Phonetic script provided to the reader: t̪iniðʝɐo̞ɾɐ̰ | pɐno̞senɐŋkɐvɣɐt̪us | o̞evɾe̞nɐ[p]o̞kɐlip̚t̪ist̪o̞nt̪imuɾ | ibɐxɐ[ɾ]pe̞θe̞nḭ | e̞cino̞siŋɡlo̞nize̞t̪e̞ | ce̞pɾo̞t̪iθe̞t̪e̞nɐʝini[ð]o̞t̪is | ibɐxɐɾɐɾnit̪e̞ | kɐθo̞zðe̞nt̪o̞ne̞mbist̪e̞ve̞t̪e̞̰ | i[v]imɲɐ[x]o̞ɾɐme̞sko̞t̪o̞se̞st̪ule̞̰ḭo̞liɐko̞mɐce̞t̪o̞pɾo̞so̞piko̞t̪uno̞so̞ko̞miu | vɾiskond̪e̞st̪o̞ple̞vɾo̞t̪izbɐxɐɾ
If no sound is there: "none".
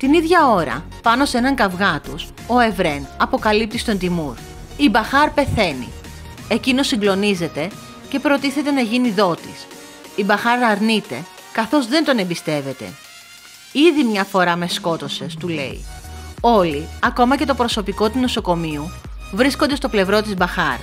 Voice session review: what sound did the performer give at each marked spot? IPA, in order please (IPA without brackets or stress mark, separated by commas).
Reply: p, ɾ, ð, ð, f